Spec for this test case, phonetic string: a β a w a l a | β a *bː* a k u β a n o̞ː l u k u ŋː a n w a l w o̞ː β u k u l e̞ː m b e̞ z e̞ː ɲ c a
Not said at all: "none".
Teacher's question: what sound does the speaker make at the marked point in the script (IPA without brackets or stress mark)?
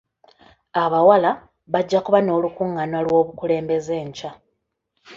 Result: ɟː